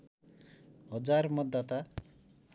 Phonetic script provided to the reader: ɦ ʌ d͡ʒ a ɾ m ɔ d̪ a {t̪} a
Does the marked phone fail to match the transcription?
no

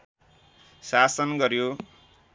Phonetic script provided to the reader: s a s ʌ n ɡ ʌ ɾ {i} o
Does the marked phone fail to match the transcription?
yes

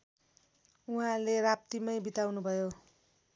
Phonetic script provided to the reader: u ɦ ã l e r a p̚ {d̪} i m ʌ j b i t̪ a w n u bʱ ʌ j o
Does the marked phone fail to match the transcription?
yes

